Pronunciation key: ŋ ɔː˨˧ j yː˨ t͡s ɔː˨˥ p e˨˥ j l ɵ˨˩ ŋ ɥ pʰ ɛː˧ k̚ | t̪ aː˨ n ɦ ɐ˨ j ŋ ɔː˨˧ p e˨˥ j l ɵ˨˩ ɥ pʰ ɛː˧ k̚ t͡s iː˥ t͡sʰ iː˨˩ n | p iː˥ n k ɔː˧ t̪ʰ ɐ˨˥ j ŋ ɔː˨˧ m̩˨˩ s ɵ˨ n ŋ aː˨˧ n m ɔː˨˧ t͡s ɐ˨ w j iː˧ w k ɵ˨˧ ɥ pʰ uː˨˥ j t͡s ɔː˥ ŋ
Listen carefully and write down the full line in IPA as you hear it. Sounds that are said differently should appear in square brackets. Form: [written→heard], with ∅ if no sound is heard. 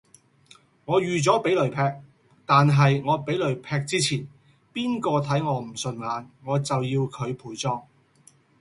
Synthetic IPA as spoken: ŋ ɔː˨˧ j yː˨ t͡s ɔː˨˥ p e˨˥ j l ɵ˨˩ [ŋ→∅] ɥ pʰ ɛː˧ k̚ | t̪ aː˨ n ɦ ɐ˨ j ŋ ɔː˨˧ p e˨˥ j l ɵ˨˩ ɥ pʰ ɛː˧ k̚ t͡s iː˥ t͡sʰ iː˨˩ n | p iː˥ n k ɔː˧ t̪ʰ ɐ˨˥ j ŋ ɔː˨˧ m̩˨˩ s ɵ˨ n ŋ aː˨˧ n [m→ŋ] ɔː˨˧ t͡s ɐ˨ w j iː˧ w [k→kʰ] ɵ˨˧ ɥ pʰ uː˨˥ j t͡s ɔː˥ ŋ